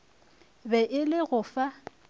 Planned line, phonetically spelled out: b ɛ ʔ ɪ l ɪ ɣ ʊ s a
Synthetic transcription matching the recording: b ɛ ʔ ɪ l ɪ ɣ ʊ f a